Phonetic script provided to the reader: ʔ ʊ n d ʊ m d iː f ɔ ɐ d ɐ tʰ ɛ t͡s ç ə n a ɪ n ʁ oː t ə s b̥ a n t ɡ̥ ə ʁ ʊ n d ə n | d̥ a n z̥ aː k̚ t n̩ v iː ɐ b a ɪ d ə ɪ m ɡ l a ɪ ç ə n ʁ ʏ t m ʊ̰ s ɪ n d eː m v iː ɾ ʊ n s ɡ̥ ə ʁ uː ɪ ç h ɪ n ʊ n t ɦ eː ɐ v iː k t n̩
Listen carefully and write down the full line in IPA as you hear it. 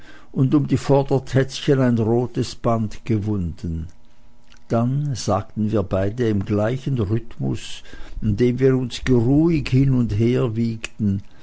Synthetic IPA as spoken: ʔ ʊ n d ʊ m d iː f ɔ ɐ d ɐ tʰ ɛ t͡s ç ə n a ɪ n ʁ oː t ə s b̥ a n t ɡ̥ ə v ʊ n d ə n | d̥ a n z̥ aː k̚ t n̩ v iː ɐ b a ɪ d ə ɪ m ɡ l a ɪ ç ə n ʁ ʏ t m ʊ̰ s ɪ n d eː m v iː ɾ ʊ n s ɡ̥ ə ʁ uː ɪ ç h ɪ n ʊ n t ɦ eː ɐ v iː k t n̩